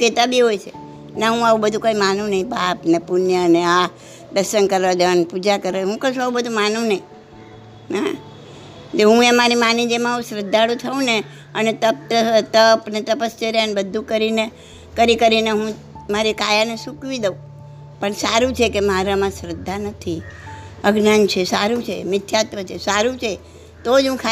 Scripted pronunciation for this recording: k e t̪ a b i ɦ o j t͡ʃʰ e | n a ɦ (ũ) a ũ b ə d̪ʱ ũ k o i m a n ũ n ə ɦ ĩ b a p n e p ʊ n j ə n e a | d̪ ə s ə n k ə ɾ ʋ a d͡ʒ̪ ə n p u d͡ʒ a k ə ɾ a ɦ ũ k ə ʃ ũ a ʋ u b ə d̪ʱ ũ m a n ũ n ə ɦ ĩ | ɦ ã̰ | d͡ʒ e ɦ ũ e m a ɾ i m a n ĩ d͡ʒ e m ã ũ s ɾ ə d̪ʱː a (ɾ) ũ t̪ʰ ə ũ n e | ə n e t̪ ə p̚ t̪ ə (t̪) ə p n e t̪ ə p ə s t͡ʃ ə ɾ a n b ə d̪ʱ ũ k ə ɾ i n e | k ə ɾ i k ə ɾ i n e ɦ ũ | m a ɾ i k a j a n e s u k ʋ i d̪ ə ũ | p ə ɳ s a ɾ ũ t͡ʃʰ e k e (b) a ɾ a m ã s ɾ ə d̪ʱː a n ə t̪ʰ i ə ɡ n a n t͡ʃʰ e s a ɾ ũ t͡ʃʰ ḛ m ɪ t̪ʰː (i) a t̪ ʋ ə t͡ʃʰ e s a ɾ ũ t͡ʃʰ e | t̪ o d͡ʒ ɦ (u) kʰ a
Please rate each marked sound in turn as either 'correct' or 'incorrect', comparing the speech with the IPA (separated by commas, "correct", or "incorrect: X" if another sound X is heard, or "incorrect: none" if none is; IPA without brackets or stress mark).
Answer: correct, incorrect: ɽ, correct, incorrect: m, incorrect: j, incorrect: ũ